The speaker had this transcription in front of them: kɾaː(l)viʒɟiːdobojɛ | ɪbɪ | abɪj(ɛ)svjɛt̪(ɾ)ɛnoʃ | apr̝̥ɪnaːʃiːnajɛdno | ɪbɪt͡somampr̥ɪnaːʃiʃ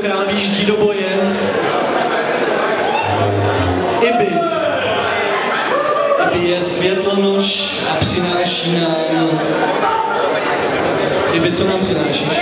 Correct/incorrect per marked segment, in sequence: correct, correct, incorrect: l

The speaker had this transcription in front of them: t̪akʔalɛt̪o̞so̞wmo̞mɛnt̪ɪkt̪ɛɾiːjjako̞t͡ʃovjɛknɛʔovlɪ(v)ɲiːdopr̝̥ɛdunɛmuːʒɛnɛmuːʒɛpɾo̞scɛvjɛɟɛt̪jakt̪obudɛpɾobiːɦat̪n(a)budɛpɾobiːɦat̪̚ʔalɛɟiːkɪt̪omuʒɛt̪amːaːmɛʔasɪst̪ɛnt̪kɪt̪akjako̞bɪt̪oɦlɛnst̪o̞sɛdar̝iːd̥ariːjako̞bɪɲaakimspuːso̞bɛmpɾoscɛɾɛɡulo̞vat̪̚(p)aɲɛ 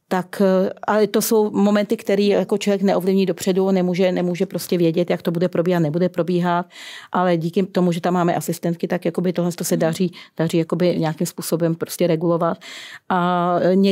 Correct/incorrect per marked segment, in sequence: correct, incorrect: ɛ, incorrect: ʔ

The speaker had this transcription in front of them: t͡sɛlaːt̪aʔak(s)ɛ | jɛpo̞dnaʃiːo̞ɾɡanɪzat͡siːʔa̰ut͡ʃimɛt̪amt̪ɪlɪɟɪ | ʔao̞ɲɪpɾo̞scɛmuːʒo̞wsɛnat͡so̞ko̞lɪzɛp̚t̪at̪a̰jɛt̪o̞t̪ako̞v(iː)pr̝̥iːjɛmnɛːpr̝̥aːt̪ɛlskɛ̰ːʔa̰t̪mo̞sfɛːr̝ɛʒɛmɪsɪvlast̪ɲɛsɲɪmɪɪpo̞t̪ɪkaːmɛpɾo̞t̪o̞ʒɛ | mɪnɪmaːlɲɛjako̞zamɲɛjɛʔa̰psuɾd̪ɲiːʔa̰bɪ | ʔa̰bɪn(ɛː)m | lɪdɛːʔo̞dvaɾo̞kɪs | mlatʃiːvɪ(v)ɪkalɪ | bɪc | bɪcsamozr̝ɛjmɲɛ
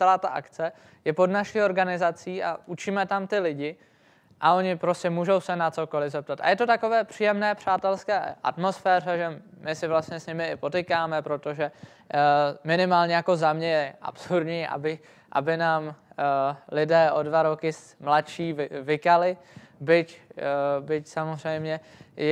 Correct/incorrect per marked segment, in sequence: incorrect: t͡s, incorrect: ɛː, incorrect: aː, correct

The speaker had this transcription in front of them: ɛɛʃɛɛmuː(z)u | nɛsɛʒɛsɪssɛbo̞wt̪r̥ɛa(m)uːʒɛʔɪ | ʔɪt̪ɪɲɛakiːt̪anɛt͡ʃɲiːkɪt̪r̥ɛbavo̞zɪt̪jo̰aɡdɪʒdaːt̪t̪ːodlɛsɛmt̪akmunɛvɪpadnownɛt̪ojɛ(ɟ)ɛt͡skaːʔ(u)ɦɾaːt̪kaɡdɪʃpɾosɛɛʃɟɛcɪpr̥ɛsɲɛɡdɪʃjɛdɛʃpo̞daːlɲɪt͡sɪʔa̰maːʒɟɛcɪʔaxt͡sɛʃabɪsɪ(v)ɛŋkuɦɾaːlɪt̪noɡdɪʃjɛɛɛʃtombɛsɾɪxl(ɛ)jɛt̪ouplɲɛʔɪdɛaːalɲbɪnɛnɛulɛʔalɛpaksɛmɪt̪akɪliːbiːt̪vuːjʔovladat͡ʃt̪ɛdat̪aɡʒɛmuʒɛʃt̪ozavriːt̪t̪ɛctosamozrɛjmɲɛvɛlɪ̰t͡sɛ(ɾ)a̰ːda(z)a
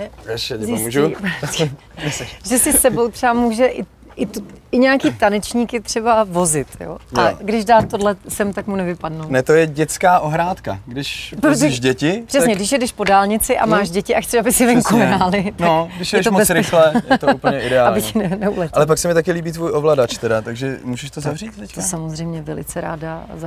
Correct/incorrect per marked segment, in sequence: incorrect: ʒ, correct, correct, incorrect: o, correct, correct, correct, correct

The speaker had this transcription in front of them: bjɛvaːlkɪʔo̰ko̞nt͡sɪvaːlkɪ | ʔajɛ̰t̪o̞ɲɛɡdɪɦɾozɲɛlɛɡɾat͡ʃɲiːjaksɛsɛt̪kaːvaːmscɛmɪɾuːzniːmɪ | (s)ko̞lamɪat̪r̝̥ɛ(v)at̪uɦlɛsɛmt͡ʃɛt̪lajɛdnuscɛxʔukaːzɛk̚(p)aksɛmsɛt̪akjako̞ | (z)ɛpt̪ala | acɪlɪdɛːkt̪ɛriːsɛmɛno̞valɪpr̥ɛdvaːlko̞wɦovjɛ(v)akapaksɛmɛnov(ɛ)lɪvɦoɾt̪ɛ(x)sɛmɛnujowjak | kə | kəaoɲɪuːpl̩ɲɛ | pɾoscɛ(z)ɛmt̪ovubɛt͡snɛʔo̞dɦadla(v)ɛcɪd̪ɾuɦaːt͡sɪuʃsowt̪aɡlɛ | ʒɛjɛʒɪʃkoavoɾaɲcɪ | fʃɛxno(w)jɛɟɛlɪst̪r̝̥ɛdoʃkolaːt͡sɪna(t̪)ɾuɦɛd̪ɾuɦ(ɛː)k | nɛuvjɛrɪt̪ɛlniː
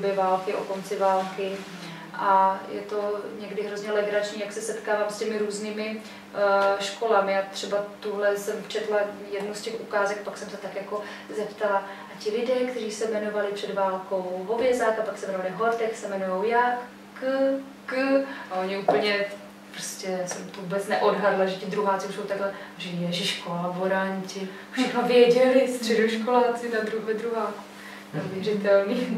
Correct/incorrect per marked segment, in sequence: incorrect: ʃ, incorrect: b, correct, correct, incorrect: z, incorrect: a, correct, incorrect: s, incorrect: ʒ, incorrect: v, incorrect: d̪, incorrect: aː

